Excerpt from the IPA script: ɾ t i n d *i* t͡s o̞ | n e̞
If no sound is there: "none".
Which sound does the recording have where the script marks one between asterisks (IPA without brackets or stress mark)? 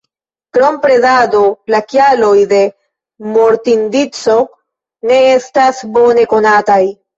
i